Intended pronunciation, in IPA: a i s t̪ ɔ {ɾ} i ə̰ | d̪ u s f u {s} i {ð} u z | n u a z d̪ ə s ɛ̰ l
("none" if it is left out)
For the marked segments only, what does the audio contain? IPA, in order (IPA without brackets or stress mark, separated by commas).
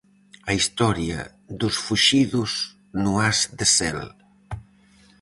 ɾ, ʃ, ð